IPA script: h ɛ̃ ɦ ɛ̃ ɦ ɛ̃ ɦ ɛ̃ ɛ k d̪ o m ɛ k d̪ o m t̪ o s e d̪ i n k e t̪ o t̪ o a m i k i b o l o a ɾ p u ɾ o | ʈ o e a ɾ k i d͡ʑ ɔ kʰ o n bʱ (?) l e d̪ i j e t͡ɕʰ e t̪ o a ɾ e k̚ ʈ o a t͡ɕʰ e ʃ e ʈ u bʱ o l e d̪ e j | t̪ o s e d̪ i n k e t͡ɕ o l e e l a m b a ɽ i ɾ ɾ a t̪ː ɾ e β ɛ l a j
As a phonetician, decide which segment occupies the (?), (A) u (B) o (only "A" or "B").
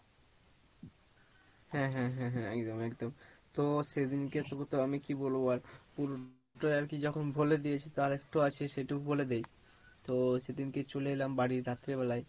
B